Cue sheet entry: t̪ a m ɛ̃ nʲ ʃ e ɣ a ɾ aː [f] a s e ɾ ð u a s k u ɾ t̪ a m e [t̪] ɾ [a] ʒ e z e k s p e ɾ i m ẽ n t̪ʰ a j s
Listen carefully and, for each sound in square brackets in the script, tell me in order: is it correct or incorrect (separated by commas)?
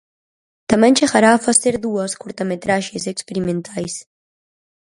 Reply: correct, correct, correct